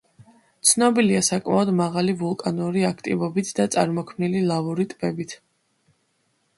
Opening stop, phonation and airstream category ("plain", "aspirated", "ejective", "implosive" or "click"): plain